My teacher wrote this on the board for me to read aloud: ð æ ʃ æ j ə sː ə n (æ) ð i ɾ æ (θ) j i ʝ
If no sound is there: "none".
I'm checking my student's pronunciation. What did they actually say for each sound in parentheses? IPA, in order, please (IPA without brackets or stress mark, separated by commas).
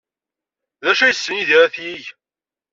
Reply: i, θ